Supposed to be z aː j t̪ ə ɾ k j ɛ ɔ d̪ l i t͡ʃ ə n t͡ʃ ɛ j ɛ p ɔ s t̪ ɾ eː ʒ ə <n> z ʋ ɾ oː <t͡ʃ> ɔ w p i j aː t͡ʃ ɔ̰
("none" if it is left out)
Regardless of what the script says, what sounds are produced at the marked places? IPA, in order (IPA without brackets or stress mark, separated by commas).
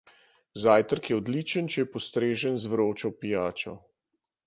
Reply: n, t͡ʃ